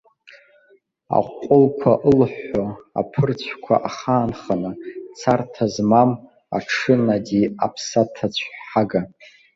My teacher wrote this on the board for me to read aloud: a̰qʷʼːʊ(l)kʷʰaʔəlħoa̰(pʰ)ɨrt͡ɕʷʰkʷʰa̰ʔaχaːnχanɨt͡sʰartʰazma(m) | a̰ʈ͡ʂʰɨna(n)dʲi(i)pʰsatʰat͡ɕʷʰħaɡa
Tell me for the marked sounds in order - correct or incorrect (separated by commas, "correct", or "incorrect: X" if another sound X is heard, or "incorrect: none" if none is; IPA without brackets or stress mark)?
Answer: correct, correct, correct, incorrect: none, incorrect: a